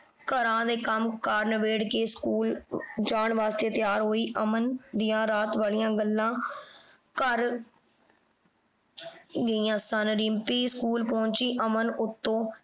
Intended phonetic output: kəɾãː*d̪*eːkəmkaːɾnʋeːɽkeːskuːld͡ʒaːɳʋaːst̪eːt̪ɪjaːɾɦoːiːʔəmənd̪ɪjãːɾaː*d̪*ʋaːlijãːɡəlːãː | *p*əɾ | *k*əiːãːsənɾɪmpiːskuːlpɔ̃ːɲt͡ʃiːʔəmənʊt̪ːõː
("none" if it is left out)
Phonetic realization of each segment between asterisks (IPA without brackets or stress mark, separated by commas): d̪, t̪, k, ɡ